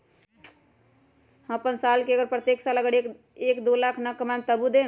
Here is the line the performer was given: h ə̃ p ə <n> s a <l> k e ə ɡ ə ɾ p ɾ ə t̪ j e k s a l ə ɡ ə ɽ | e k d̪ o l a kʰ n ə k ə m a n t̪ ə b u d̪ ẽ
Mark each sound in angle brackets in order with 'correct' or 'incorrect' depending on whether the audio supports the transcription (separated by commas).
correct, correct